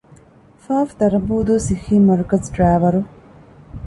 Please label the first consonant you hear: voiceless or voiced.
voiceless